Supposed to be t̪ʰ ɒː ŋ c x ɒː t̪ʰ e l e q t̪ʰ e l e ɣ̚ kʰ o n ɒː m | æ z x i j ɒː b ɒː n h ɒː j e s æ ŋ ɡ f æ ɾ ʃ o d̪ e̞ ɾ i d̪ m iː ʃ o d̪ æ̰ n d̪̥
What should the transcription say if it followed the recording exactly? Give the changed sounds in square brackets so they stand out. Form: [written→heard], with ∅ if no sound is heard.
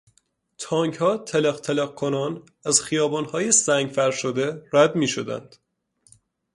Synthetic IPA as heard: t̪ʰ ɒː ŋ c [x→h] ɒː t̪ʰ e l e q t̪ʰ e l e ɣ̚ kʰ o n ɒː [m→n] | æ z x i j ɒː b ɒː n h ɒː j e s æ ŋ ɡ f æ ɾ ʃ o d̪ e̞ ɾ [i→æ] d̪ m iː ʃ o d̪ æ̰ n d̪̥